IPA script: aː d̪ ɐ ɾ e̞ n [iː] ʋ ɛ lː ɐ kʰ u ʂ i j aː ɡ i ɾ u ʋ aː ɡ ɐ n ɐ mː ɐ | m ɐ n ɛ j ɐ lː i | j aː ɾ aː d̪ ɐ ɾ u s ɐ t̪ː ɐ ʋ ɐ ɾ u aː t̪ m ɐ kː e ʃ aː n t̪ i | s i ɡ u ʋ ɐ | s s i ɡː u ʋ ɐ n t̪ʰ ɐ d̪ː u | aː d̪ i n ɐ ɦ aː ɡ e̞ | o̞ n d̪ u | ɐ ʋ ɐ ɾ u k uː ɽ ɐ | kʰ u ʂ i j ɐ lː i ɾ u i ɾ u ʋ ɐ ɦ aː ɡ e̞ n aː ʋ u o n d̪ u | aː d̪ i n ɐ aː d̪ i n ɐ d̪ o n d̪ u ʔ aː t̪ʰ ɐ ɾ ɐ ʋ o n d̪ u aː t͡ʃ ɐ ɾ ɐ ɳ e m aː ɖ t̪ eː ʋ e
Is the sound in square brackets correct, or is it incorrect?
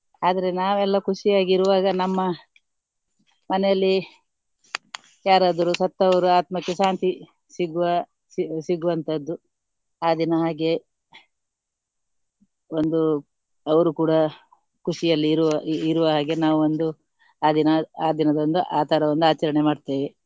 incorrect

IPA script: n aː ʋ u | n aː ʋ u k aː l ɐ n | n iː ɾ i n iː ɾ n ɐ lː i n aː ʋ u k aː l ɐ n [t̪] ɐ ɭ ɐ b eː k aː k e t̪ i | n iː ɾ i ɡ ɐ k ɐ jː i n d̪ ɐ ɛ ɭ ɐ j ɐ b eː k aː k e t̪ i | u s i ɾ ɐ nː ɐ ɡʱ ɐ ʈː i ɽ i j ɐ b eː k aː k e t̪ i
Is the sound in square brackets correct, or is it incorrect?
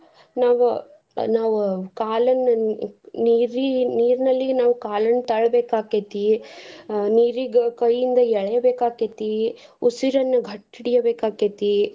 correct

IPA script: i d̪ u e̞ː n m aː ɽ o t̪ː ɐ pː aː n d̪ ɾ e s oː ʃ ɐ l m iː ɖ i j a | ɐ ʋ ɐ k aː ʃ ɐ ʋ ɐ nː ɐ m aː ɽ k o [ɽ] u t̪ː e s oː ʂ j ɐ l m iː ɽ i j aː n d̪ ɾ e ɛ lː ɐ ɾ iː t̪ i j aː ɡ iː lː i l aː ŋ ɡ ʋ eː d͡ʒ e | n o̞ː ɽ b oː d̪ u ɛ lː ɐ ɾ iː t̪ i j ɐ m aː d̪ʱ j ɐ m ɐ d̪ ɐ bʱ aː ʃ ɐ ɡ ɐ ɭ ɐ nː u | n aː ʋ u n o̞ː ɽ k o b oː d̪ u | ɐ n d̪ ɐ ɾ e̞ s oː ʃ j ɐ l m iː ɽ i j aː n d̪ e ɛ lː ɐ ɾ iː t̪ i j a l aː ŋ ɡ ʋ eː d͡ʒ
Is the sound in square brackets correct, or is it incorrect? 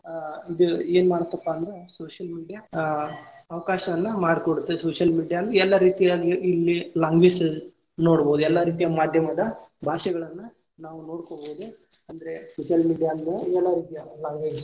correct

